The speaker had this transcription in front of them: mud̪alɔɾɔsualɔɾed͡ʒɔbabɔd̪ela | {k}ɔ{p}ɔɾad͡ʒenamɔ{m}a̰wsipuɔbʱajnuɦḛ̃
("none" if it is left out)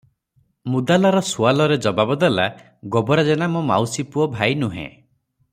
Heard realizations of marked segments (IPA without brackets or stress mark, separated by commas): ɡ, b, m